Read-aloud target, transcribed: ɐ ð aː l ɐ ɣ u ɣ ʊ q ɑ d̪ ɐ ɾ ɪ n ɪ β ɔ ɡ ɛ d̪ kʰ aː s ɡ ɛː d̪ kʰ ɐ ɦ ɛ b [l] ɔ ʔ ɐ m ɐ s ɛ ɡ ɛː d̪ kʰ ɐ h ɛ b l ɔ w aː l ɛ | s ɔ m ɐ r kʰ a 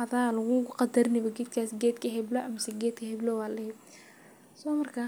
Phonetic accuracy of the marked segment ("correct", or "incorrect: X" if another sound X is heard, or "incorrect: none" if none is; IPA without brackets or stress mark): correct